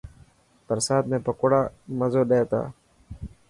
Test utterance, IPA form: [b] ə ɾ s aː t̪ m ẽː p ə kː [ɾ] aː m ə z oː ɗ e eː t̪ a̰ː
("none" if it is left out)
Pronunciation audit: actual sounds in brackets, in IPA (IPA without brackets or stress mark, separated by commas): p, ɽ